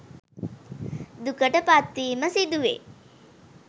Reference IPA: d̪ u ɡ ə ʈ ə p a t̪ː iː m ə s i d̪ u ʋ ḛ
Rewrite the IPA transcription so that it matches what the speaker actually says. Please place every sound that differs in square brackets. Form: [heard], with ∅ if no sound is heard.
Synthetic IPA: d̪ u [k] ə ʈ ə p a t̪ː iː m ə s i d̪ u ʋ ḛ